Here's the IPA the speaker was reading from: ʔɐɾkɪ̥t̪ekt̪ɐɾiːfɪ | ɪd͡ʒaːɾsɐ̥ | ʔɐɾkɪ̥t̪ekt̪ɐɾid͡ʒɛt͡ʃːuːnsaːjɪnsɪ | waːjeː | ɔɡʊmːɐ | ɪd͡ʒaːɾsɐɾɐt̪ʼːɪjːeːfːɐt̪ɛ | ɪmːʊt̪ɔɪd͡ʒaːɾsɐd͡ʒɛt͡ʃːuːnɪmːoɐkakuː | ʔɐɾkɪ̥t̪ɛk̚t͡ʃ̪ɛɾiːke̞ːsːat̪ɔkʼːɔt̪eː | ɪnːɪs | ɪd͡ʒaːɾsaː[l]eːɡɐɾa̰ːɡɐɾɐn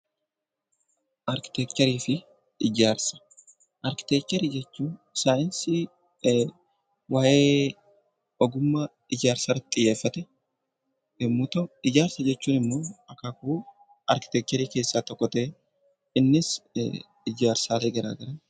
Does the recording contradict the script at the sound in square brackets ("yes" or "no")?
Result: no